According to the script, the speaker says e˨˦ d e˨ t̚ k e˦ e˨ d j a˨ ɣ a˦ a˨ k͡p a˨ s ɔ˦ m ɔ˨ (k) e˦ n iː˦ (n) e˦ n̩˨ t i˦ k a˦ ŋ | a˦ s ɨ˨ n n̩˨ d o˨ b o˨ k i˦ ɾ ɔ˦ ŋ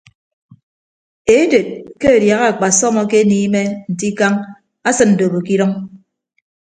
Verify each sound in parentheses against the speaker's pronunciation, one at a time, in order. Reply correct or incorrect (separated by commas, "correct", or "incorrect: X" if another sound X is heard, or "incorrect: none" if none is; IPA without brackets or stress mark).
correct, incorrect: m